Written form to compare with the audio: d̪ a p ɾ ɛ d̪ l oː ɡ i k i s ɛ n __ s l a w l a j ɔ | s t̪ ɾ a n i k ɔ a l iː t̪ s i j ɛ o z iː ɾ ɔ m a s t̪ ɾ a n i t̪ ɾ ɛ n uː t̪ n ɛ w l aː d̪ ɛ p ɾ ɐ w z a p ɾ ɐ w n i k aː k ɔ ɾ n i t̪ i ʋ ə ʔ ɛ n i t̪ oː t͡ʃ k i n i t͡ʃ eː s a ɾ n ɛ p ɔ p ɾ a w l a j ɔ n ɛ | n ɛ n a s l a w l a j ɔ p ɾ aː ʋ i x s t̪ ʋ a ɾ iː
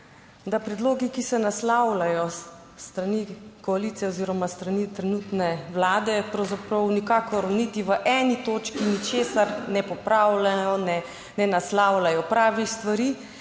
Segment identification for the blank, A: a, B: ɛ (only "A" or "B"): A